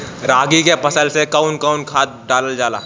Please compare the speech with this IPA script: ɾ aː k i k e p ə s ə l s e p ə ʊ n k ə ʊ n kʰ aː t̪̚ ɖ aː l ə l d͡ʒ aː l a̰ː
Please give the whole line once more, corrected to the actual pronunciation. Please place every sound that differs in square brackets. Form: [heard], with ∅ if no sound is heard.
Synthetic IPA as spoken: ɾ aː [ɡ] i k e p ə s ə l s e [k] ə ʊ n k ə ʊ n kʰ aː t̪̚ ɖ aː l ə l d͡ʒ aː l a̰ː